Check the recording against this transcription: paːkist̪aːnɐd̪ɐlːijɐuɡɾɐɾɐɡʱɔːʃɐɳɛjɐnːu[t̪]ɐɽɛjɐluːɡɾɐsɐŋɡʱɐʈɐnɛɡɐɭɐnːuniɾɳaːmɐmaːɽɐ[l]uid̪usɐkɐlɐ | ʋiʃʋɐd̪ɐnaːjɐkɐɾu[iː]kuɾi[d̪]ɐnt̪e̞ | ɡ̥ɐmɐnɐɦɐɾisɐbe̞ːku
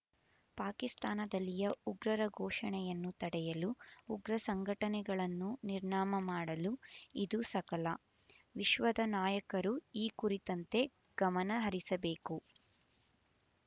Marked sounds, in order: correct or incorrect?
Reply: correct, correct, correct, incorrect: t̪

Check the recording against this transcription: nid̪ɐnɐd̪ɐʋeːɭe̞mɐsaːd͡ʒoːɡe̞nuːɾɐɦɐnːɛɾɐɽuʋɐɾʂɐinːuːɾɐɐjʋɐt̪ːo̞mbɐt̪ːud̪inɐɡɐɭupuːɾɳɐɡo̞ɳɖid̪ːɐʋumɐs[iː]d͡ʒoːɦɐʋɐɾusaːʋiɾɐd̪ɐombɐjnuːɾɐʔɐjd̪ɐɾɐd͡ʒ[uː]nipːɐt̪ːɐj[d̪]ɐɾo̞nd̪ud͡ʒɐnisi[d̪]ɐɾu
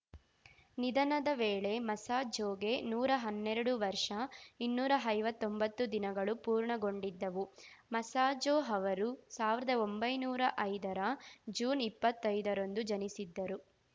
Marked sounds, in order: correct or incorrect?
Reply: incorrect: aː, correct, correct, incorrect: d̪ː

